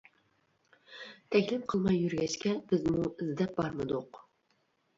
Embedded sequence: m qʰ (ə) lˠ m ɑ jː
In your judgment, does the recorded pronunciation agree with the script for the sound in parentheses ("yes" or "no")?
yes